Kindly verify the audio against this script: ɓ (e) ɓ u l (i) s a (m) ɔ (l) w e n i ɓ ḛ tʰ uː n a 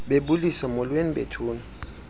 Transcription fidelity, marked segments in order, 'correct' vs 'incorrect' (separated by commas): correct, correct, correct, correct